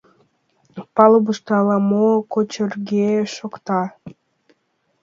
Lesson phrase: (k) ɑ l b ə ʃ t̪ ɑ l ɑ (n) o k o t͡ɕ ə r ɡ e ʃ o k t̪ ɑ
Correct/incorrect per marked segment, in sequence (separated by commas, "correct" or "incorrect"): incorrect, incorrect